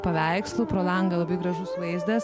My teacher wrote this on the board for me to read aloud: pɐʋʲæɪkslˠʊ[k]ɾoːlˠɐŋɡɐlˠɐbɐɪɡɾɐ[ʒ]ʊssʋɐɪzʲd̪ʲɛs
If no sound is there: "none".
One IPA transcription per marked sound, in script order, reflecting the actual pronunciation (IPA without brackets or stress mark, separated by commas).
p, ʒ